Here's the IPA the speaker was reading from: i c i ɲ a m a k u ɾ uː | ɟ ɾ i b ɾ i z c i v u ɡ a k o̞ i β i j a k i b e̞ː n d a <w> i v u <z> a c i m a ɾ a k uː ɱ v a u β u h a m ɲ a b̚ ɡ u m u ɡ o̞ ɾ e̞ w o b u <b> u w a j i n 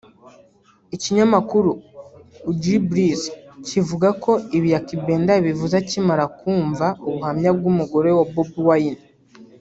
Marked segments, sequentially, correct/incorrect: incorrect, correct, correct

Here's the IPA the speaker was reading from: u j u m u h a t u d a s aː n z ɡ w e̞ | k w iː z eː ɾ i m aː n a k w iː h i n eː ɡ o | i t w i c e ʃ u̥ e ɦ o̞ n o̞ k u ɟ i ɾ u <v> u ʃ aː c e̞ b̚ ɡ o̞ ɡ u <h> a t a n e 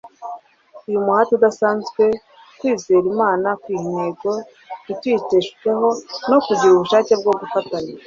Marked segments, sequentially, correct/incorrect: incorrect, incorrect

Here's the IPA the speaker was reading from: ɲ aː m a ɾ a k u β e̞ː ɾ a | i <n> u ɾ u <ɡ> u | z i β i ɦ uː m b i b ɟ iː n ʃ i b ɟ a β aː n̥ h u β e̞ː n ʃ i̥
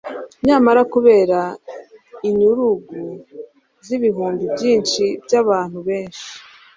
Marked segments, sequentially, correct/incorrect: incorrect, correct

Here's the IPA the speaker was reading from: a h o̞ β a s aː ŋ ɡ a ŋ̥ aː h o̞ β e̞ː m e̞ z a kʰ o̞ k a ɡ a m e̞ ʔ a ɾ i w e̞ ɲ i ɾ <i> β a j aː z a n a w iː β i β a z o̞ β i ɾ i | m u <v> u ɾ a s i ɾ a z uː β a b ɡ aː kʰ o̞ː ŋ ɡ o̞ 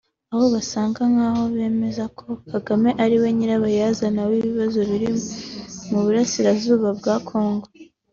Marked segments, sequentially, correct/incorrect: incorrect, incorrect

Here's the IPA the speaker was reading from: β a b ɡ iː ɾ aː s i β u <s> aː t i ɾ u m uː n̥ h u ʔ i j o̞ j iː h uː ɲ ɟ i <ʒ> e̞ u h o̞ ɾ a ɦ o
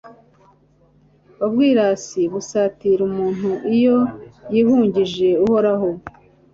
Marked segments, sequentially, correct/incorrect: correct, correct

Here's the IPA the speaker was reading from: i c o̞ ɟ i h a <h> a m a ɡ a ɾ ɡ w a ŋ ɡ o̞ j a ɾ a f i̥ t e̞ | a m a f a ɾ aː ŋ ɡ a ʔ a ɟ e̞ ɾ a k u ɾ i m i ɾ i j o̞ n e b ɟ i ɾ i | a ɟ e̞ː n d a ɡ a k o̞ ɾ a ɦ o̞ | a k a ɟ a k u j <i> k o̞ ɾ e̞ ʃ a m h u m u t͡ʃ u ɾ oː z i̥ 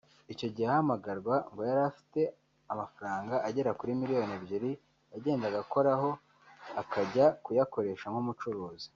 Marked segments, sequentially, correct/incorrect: correct, incorrect

